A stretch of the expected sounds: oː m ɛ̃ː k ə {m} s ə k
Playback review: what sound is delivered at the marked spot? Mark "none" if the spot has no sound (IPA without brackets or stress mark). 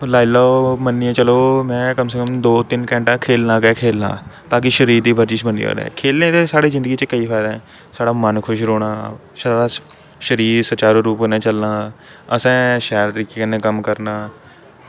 m